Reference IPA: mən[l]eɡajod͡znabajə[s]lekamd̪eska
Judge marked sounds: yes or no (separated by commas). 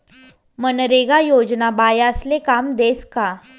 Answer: no, yes